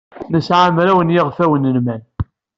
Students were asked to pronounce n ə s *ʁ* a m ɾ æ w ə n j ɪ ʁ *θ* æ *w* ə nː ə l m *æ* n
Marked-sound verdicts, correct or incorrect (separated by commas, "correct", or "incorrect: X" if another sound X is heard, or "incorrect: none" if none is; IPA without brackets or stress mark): incorrect: ʕ, incorrect: f, correct, correct